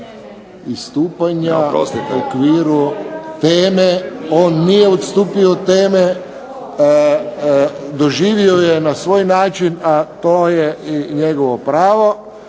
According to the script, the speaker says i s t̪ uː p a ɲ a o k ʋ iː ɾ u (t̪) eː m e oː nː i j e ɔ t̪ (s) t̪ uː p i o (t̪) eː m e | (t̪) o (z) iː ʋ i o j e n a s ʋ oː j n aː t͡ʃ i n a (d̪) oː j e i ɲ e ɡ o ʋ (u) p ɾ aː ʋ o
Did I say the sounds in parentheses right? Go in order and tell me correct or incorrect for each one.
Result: correct, correct, correct, incorrect: d̪, incorrect: ʒ, incorrect: t̪, incorrect: o

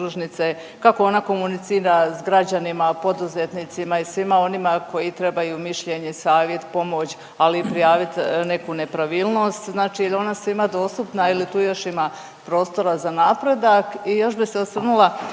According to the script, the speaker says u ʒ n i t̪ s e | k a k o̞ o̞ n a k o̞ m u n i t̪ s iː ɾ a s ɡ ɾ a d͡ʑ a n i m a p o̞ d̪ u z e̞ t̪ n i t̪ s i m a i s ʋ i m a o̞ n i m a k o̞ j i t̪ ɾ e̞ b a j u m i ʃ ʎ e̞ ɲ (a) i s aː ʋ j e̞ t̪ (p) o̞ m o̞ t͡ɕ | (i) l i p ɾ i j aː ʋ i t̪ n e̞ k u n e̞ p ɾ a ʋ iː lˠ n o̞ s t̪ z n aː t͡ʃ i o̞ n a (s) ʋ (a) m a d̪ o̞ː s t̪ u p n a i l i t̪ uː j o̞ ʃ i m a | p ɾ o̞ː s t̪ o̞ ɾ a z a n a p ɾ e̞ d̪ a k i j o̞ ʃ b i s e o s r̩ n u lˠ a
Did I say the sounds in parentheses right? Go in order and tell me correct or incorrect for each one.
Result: incorrect: e, correct, incorrect: a, correct, incorrect: i

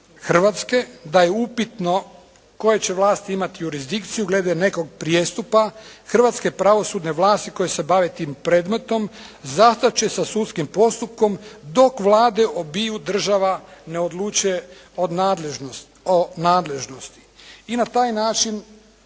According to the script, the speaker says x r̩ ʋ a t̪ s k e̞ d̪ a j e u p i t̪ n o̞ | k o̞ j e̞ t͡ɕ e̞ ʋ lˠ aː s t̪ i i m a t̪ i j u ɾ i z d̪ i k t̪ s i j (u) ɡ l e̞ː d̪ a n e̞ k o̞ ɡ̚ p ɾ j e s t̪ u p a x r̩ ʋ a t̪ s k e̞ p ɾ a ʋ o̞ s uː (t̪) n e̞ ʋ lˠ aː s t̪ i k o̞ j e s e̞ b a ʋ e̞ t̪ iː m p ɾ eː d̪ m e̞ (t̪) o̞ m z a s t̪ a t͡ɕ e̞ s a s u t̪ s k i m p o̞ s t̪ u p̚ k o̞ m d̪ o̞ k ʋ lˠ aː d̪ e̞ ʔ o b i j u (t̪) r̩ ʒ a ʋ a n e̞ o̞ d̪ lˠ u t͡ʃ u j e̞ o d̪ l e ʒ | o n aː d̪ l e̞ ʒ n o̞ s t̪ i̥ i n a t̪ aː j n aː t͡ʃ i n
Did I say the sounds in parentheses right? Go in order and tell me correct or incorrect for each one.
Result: correct, incorrect: d̪, correct, incorrect: d̪

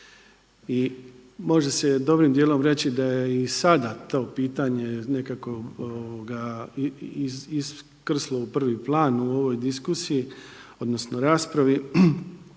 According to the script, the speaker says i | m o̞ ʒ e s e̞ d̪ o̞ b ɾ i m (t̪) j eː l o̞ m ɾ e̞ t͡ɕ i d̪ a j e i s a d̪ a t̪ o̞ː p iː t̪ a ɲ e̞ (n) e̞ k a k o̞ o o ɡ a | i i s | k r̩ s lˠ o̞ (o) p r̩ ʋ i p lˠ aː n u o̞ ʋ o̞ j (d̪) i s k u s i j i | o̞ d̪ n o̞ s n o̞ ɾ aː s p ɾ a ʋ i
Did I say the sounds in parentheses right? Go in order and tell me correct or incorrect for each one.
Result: incorrect: d̪, correct, incorrect: u, correct

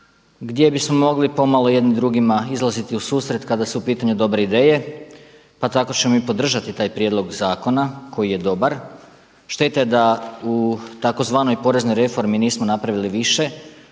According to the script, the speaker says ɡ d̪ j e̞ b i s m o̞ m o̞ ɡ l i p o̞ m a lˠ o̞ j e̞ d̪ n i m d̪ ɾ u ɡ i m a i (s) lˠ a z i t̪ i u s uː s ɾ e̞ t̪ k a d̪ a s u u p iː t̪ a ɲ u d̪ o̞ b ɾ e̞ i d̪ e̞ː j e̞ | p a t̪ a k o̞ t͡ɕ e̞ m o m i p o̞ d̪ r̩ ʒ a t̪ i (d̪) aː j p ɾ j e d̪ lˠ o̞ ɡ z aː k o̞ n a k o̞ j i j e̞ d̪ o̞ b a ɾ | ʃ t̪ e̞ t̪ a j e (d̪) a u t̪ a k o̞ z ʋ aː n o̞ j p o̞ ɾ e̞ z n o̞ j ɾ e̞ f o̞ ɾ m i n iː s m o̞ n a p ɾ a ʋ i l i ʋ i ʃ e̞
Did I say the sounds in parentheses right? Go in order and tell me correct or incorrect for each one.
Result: incorrect: z, incorrect: t̪, correct

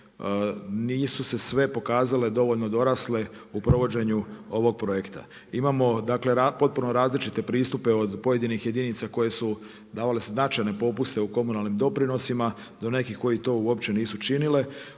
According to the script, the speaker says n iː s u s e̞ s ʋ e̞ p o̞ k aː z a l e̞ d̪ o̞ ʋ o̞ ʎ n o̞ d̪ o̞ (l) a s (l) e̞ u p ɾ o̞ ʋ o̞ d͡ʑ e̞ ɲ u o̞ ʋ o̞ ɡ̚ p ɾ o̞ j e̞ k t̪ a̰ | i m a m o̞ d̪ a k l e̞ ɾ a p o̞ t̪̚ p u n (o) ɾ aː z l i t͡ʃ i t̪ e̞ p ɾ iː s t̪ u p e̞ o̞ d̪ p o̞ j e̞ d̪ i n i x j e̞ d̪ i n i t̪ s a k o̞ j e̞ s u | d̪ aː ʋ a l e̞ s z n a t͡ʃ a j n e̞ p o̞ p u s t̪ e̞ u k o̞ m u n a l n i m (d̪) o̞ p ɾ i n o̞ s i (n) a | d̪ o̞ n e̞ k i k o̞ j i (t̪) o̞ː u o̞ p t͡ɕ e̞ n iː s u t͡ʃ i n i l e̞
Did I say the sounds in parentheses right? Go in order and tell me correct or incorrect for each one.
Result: incorrect: ɾ, correct, correct, correct, incorrect: m, correct

